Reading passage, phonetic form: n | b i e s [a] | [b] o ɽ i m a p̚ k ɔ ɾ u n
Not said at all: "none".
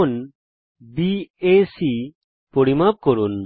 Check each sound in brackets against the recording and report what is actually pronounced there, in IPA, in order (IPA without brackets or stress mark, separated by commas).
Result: i, p